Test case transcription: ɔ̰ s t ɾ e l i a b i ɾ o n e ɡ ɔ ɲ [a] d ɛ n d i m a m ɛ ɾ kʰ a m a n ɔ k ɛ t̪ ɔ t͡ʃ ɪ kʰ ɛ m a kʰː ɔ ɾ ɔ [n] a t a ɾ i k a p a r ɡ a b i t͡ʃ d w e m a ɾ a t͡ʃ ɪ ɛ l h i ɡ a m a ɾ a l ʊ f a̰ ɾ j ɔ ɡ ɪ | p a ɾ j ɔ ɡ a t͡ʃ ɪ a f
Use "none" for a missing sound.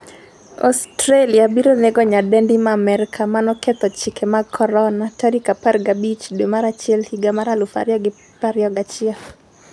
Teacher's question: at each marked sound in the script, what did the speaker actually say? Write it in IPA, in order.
a, n

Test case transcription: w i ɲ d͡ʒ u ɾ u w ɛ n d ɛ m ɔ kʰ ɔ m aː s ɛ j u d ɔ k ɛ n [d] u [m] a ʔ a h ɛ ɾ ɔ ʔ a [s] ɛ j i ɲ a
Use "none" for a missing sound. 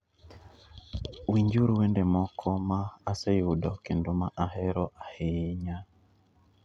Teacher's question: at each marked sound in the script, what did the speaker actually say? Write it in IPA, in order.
d, m, h

